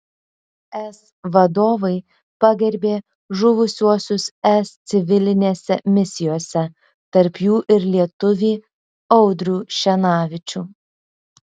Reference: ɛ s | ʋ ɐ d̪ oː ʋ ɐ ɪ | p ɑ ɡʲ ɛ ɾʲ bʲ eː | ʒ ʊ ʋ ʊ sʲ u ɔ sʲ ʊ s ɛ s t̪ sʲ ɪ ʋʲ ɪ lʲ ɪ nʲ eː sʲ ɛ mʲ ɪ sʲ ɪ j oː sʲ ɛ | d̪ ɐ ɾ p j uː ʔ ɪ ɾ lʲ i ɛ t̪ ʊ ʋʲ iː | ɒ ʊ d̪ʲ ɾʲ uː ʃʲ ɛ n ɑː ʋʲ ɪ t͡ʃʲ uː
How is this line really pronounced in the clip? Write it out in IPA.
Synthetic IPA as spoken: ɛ s | ʋ ɐ d̪ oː ʋ ɐ ɪ | p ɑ ɡʲ ɛ ɾʲ bʲ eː | ʒ ʊ ʋ ʊ sʲ u ɔ sʲ ʊ s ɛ s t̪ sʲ ɪ ʋʲ ɪ lʲ ɪ nʲ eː sʲ ɛ mʲ ɪ sʲ ɪ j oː sʲ ɛ | t̪ ɐ ɾ p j uː ʔ ɪ ɾ lʲ i ɛ t̪ ʊ ʋʲ iː | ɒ ʊ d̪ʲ ɾʲ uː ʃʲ ɛ n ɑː ʋʲ ɪ t͡ʃʲ uː